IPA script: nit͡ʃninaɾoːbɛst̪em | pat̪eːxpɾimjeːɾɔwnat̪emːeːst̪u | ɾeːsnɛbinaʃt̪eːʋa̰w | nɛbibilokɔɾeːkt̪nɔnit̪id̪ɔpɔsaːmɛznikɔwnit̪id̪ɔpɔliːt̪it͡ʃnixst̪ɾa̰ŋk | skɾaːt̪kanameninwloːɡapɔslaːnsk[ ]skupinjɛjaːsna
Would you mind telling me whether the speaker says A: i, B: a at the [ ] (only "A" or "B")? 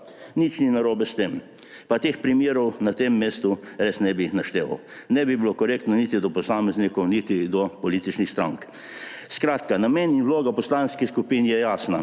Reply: A